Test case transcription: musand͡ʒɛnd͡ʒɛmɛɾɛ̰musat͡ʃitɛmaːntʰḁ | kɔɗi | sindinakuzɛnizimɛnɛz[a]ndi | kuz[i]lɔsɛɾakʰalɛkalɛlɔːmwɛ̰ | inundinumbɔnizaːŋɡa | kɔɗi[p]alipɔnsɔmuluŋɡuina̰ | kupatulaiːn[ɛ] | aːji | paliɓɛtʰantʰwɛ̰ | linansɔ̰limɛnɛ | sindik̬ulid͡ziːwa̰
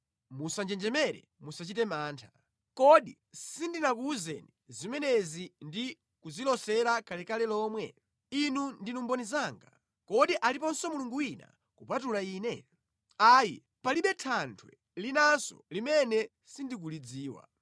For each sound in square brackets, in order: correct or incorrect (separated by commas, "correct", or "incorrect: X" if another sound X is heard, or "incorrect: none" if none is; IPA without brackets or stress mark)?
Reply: incorrect: i, correct, incorrect: ʔ, correct